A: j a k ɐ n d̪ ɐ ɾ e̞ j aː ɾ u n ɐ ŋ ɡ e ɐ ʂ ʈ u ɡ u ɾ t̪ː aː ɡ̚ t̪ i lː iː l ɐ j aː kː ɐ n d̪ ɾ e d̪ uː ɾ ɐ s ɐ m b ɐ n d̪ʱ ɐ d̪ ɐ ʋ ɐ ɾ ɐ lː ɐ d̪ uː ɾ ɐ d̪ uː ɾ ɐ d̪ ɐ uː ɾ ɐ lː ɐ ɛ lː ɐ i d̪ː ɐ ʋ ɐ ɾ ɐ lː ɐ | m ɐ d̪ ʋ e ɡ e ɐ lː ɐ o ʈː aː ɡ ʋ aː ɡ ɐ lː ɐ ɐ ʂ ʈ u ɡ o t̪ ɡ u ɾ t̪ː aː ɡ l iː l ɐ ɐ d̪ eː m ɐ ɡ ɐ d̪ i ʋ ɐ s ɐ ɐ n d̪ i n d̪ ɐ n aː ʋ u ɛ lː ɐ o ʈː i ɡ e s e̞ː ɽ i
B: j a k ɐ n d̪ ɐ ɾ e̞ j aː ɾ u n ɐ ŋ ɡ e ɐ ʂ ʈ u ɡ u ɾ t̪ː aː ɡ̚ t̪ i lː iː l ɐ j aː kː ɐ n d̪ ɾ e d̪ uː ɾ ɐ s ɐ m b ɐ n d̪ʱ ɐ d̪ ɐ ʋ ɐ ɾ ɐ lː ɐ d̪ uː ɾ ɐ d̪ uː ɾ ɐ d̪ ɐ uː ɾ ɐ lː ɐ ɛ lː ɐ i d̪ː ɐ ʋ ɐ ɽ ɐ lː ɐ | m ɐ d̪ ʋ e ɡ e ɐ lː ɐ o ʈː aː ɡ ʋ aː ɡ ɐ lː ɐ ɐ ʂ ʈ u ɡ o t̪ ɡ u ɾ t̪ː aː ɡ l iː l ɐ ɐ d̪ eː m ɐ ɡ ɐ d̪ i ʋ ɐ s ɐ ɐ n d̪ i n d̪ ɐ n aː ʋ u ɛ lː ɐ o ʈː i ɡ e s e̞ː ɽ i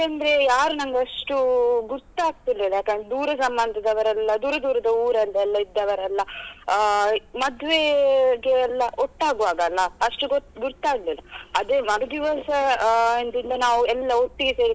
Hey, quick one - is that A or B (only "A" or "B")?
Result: A